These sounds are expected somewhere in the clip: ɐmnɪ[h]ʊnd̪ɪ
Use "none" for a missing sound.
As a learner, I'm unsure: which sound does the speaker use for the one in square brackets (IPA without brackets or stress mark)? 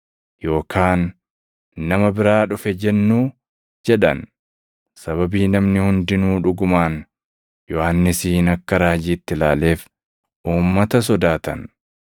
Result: h